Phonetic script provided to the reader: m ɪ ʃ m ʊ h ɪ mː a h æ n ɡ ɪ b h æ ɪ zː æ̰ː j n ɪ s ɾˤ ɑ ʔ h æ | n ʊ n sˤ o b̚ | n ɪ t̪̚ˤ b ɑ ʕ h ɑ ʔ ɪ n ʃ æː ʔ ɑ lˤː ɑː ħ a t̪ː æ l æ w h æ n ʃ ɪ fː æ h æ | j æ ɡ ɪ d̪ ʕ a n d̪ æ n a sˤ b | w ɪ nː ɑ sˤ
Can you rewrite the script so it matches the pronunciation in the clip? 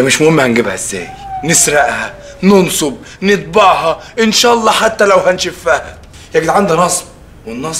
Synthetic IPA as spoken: m ɪ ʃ m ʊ h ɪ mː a h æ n ɡ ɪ b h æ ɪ zː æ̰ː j n ɪ s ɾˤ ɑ ʔ h æ | n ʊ n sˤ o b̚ | n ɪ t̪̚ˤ b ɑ ʕ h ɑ ʔ ɪ n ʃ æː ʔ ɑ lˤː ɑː ħ a t̪ː æ l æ w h æ n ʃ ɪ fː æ h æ | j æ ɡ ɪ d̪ ʕ a n d̪ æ n ɑ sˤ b | w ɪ nː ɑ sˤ